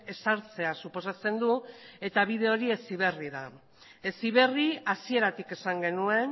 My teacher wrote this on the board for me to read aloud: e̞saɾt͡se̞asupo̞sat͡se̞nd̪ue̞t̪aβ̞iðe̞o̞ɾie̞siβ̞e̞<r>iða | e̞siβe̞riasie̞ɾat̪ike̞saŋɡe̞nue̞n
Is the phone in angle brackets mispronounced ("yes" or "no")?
no